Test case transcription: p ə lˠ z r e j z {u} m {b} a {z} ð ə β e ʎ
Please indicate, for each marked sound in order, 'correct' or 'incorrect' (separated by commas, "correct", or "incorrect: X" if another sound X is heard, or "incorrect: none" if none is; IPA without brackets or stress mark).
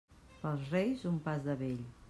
correct, incorrect: p, correct